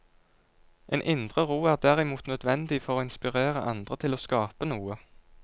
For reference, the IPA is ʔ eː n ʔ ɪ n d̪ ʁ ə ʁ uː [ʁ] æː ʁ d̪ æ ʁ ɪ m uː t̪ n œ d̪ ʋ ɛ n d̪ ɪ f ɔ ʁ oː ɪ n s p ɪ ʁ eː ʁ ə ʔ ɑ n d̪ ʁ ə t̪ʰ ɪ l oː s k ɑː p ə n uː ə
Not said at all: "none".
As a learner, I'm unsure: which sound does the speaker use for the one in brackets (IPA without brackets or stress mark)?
none